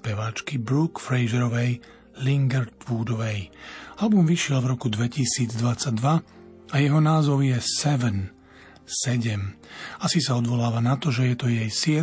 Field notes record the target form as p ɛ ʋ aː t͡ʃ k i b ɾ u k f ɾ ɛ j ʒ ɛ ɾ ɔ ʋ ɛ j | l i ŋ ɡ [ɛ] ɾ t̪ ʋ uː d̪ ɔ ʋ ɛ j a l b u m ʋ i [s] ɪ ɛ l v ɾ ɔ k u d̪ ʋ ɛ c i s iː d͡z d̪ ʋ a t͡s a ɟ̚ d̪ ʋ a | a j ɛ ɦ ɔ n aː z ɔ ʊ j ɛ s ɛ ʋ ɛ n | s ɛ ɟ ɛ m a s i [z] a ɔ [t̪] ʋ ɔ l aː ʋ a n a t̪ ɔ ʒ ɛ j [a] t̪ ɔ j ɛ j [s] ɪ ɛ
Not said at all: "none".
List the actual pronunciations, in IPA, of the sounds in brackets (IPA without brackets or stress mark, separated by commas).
ɛ, ʃ, s, d̪, ɛ, s